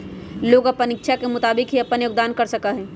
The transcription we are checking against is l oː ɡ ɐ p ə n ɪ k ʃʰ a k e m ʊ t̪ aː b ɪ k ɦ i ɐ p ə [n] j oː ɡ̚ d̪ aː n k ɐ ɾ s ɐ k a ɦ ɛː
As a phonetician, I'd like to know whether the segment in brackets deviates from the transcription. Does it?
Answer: no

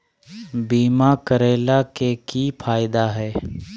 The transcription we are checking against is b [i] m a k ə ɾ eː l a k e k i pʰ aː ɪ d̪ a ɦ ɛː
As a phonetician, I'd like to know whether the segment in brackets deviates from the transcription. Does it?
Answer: yes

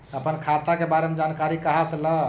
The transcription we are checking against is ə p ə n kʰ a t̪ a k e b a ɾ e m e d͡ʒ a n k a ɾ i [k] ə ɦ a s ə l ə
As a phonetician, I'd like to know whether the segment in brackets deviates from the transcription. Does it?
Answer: no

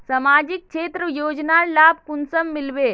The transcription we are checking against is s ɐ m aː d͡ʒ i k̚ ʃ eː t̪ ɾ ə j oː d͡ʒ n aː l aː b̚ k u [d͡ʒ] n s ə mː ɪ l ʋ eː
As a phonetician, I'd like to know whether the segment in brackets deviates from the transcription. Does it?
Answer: yes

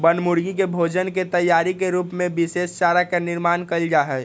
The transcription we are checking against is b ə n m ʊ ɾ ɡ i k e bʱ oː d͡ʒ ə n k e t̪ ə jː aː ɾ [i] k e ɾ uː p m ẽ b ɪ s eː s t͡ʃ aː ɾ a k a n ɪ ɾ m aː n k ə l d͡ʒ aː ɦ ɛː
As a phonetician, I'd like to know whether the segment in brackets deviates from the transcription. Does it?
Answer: no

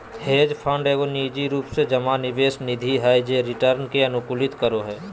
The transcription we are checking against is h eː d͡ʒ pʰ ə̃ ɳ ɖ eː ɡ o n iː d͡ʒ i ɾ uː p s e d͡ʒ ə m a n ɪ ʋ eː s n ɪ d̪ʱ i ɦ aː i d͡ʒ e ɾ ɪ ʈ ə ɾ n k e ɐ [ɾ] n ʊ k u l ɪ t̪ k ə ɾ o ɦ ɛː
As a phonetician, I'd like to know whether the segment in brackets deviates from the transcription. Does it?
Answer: yes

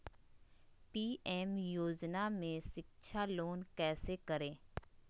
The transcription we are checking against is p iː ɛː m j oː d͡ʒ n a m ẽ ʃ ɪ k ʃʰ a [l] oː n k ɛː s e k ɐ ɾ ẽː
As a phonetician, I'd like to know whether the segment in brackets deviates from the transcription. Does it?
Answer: no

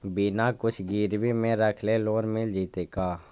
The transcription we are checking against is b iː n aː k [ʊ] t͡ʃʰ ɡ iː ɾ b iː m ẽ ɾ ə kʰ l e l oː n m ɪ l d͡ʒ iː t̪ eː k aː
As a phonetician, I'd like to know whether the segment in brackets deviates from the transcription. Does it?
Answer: no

